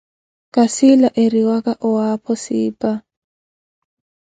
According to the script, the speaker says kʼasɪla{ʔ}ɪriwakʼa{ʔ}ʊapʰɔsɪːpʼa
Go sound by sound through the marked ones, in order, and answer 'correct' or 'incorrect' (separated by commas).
correct, correct